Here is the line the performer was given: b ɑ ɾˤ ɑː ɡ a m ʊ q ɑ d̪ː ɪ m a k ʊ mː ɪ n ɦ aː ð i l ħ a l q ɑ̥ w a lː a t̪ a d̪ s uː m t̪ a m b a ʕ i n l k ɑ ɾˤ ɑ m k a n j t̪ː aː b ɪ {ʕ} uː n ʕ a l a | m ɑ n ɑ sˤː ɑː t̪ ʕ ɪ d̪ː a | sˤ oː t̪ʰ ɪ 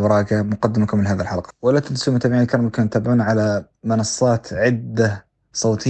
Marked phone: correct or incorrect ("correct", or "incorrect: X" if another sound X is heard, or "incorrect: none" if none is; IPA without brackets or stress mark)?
correct